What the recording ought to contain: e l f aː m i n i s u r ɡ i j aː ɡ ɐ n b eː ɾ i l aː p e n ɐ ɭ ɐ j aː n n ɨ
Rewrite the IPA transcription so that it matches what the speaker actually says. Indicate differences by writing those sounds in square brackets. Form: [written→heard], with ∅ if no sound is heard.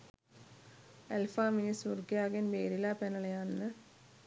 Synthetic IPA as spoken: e l f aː m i n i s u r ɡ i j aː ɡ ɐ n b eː ɾ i l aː p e n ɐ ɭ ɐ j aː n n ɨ

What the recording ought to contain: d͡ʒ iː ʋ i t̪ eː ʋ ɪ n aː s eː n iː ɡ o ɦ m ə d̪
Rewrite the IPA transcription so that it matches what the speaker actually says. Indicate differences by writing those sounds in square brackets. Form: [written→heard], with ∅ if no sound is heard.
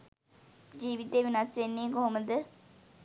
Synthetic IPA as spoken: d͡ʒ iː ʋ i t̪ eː ʋ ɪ n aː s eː n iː ɡ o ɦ m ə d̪

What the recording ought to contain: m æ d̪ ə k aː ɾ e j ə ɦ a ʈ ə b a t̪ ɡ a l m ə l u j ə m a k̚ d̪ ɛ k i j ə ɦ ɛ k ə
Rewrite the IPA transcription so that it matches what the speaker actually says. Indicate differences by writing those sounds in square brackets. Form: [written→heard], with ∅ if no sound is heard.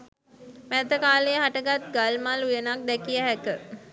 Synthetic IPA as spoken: m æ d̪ ə k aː [ɾ→l] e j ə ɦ a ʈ ə [b→ɡ] a t̪ ɡ a l m [ə→a] l u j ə [m→n] a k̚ d̪ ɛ k i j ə ɦ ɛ k ə

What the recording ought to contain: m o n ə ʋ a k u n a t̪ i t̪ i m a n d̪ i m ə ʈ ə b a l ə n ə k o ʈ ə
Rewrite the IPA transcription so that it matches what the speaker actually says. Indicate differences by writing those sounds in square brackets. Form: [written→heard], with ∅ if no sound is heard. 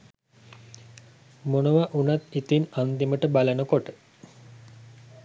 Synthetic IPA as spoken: m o n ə ʋ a [k→ʔ] u n a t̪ i t̪ i [m→n] a n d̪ i m ə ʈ ə b a l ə n ə k o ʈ ə

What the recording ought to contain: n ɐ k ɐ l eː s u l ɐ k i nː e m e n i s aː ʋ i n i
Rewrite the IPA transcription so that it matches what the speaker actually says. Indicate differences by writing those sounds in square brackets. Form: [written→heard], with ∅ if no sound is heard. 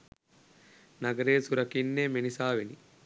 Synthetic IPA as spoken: n ɐ [k→ɡ] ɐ [l→ɾ] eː s u [l→ɾ] ɐ k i nː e m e n i s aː ʋ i n i

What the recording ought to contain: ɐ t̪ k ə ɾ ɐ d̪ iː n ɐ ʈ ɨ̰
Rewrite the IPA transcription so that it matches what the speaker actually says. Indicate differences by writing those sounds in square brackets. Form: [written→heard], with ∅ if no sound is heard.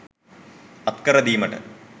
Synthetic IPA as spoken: ɐ t̪ k [ə→ɐ] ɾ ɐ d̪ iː [n→m] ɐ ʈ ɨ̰

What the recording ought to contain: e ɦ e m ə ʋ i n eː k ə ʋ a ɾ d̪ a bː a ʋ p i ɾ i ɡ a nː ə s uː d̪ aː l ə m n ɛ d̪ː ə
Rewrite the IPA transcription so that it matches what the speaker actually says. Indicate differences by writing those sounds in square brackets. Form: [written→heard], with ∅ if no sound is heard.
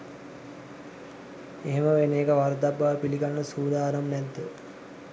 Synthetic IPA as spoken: e ɦ e m ə ʋ [i→e] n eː k ə ʋ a ɾ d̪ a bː a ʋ p i [ɾ→l] i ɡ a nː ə s uː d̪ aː [l→ɾ] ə m n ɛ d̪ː ə

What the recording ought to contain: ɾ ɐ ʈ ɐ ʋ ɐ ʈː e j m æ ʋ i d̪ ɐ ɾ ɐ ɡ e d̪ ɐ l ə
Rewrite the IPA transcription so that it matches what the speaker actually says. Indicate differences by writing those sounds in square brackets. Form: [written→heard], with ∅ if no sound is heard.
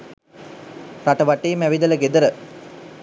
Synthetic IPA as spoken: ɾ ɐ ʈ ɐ ʋ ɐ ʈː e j m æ ʋ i d̪ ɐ [ɾ→l] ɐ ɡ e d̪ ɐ [l→ɾ] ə

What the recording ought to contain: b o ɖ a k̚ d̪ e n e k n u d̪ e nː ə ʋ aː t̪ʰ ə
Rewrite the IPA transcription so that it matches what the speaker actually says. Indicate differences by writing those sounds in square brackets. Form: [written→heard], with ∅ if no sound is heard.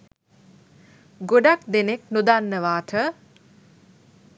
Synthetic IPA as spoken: [b→ɡ] o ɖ a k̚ d̪ e n e k n u d̪ [e→a] nː ə ʋ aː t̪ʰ ə

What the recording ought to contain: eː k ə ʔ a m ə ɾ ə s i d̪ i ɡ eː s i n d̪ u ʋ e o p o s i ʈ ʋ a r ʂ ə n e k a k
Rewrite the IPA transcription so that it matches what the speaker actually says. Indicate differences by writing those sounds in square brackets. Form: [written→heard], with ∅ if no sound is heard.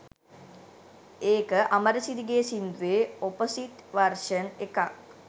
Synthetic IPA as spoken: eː k ə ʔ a m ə ɾ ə s i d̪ i ɡ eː s i n d̪ u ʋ e o p o s i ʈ ʋ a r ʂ ə n e k a k

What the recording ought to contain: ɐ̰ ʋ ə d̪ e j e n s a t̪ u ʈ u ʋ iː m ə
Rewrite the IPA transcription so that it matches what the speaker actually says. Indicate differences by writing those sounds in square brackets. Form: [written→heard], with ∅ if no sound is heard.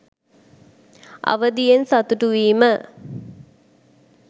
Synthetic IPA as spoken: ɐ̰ ʋ ə d̪ [e→i] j e n s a t̪ u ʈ u ʋ iː m ə

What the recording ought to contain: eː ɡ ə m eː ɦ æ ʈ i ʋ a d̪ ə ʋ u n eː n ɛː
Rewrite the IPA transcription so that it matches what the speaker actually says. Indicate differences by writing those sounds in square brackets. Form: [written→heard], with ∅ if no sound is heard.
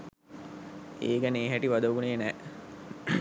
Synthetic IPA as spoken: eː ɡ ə [m→n] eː ɦ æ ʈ i ʋ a d̪ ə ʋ u n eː n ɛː

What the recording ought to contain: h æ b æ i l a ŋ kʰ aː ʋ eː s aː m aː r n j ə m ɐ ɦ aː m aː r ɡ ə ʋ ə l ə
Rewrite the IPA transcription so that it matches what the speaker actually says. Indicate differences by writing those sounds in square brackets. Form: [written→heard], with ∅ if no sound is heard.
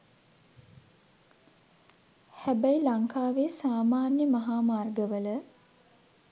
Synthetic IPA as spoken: h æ b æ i l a ŋ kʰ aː ʋ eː s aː m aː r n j ə m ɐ ɦ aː m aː r ɡ ə ʋ ə l ə

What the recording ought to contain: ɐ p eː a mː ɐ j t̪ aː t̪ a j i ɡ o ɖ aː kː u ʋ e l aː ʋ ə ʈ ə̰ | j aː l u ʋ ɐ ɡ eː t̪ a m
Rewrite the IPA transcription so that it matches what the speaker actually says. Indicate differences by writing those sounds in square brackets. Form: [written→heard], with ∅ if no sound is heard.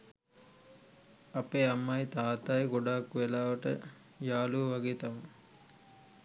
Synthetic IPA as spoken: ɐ p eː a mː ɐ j t̪ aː t̪ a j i ɡ o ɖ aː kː u ʋ e l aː ʋ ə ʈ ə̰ | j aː l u ʋ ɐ ɡ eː t̪ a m

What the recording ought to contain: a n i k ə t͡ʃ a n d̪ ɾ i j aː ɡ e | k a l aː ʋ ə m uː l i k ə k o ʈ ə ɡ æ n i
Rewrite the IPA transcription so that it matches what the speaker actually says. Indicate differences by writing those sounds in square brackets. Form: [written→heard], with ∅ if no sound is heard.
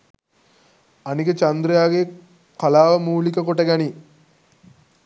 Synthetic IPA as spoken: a n i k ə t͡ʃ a n d̪ ɾ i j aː ɡ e | k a l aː ʋ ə m uː l i k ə k o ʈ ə ɡ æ n i

